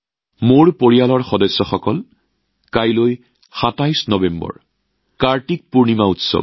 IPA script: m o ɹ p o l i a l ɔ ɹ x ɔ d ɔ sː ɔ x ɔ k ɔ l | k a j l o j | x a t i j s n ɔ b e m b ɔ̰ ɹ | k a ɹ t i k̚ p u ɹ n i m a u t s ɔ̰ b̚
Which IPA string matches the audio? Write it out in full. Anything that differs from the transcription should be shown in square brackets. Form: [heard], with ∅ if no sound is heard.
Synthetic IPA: m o ɹ p o [ɹ] i a l ɔ ɹ x ɔ d ɔ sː ɔ x ɔ k ɔ l | k a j l o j | x a t [a] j s n ɔ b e m b ɔ̰ ɹ | k a ɹ t i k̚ p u ɹ n i m a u t s ɔ̰ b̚